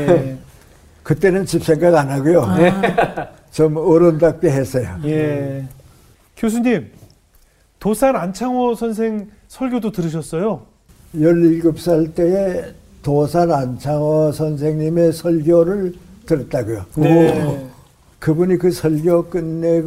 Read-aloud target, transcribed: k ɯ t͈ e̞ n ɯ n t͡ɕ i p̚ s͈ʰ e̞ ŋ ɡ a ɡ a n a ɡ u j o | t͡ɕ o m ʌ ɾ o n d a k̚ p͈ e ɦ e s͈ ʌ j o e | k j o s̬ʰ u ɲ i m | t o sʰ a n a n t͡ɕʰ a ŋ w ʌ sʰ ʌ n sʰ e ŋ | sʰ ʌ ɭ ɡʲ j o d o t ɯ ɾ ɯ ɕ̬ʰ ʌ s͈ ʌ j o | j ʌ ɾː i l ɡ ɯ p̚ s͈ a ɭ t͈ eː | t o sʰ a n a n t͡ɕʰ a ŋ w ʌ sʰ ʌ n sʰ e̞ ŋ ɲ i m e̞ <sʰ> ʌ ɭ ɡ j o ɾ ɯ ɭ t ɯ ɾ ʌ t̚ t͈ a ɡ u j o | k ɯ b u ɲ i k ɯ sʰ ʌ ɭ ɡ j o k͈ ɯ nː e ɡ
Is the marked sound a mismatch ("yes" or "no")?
no